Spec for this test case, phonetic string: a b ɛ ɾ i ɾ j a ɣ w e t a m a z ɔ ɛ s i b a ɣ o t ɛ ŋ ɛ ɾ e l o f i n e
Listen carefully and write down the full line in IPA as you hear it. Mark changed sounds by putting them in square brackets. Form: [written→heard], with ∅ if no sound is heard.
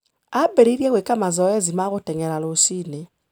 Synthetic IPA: a b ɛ ɾ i ɾ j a ɣ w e [t→k] a m a z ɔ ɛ [s→z] i [b→m] a ɣ o t ɛ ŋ ɛ ɾ [e→a] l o [f→s] i n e